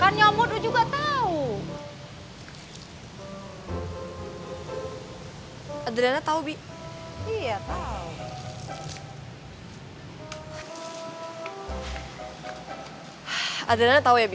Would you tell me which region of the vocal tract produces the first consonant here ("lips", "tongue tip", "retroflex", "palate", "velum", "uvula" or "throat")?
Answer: velum